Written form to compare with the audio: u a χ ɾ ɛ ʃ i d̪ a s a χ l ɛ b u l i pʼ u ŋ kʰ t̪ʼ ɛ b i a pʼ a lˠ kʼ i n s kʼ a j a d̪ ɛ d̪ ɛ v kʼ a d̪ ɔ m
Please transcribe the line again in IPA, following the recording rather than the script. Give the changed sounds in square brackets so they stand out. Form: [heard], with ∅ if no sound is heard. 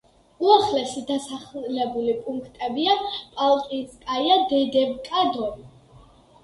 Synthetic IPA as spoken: u a χ [l] ɛ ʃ i d̪ a s a χ l ɛ b u l i pʼ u ŋ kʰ t̪ʼ ɛ b i a pʼ a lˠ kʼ i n s kʼ a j a d̪ ɛ d̪ ɛ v kʼ a d̪ ɔ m